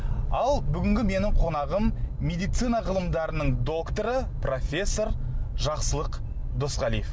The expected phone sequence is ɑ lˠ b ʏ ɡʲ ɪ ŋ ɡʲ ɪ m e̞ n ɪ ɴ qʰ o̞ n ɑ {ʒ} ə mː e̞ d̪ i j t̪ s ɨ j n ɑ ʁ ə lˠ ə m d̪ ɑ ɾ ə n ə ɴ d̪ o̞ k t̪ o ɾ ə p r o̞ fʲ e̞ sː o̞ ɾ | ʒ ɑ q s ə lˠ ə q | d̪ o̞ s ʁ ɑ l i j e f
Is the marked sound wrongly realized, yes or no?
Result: yes